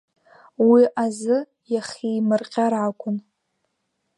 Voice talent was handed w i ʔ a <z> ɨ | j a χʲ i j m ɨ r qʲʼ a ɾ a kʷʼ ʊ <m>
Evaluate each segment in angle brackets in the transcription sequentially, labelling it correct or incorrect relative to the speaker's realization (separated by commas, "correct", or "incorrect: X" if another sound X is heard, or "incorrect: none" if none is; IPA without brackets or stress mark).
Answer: correct, incorrect: n